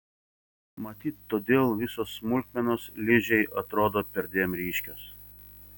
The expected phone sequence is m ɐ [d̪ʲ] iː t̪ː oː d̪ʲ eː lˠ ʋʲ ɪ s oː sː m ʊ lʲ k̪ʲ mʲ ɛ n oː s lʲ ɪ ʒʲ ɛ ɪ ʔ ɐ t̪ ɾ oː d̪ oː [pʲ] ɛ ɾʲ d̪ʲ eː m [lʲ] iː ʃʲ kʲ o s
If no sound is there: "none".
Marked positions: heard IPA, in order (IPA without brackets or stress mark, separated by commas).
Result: t̪ʲ, pʲ, ɾʲ